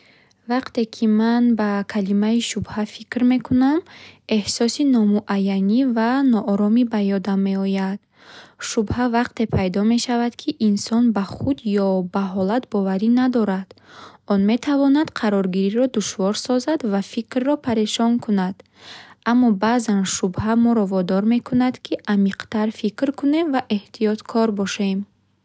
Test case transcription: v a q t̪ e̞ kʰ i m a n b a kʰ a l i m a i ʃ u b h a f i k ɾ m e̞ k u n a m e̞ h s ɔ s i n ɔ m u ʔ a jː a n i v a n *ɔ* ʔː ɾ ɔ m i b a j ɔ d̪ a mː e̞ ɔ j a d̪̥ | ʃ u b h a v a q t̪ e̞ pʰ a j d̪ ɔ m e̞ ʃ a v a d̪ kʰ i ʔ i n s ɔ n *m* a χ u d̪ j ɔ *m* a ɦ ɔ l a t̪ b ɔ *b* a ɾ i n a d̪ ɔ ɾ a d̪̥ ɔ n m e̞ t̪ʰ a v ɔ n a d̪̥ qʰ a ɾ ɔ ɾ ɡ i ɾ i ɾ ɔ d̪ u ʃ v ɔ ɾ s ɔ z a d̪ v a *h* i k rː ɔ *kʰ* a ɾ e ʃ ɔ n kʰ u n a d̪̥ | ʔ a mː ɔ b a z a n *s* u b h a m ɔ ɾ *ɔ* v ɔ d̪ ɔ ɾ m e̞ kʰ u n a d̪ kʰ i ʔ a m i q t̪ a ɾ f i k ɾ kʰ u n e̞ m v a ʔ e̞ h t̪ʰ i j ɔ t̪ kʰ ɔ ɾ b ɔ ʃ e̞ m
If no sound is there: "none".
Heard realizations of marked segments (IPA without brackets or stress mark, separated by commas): ɔ, b, b, v, f, pʰ, ʃ, ɔ